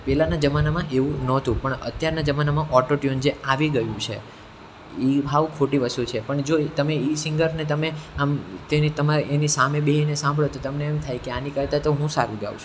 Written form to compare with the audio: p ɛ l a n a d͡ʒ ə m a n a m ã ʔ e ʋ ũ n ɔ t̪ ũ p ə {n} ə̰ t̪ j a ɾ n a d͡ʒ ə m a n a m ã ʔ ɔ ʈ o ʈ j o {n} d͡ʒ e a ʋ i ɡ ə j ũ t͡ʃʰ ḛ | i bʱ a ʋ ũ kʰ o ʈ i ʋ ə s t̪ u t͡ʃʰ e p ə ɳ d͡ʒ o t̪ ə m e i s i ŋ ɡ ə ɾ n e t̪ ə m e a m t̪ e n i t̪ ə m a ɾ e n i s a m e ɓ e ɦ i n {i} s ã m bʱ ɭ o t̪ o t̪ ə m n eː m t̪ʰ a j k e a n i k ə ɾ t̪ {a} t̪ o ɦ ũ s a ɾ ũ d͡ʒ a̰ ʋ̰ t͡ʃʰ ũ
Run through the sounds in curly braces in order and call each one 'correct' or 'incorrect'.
incorrect: ɳ, correct, incorrect: e, correct

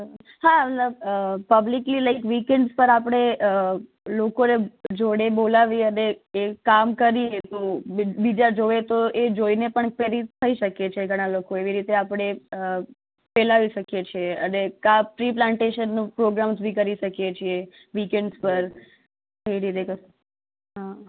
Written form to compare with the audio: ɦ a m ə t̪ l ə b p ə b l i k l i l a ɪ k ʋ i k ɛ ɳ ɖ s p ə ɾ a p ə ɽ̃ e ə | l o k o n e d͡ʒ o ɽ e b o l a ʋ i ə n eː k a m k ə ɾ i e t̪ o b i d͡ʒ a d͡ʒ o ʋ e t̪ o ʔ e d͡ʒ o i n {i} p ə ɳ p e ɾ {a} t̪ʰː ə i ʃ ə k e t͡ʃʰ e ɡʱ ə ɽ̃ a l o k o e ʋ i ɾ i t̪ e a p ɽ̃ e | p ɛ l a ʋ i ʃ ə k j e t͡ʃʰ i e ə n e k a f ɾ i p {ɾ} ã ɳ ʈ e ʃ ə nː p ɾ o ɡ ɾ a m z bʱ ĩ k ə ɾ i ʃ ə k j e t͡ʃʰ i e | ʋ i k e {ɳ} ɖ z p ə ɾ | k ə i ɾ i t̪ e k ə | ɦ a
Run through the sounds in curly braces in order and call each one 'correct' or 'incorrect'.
incorrect: e, incorrect: i, incorrect: l, correct

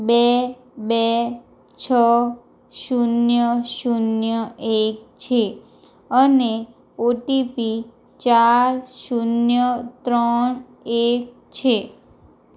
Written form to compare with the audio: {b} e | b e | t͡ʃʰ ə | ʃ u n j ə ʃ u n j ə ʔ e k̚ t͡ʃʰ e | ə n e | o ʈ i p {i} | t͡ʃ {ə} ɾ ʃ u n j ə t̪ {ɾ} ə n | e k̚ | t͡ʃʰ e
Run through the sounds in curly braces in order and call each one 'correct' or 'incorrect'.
correct, correct, incorrect: a, correct

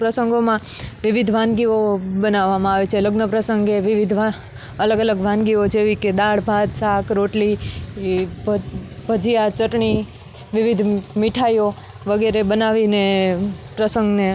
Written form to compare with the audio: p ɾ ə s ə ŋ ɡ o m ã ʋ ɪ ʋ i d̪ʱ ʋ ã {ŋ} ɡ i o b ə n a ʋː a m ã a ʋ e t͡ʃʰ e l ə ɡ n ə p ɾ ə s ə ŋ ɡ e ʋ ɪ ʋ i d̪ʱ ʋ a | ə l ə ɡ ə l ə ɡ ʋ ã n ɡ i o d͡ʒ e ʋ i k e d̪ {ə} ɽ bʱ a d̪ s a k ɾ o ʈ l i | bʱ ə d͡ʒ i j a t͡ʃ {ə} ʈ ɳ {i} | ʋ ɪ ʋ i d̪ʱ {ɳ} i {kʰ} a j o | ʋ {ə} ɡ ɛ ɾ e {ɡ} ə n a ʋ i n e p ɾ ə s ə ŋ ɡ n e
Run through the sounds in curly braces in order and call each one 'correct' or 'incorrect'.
incorrect: n, incorrect: a, correct, correct, incorrect: m, incorrect: ʈʰ, correct, incorrect: b

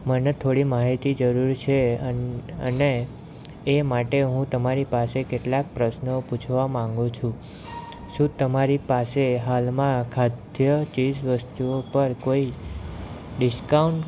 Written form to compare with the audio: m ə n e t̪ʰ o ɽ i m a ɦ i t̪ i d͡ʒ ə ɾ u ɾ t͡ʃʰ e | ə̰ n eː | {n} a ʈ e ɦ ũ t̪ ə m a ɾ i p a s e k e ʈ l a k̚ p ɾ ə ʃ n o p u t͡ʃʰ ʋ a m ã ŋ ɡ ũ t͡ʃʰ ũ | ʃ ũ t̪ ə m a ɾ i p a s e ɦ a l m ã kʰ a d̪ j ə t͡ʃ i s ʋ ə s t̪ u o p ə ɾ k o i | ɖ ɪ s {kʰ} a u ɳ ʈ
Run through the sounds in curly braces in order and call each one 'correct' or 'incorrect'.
incorrect: m, incorrect: k

